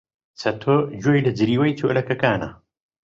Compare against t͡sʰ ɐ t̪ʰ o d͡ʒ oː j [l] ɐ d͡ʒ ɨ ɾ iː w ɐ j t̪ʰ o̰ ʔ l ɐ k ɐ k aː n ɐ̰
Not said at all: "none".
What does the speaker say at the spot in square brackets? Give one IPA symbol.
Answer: l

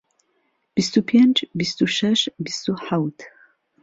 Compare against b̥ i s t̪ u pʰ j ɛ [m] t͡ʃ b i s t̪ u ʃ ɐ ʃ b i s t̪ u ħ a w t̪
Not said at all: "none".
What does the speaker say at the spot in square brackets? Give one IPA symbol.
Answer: n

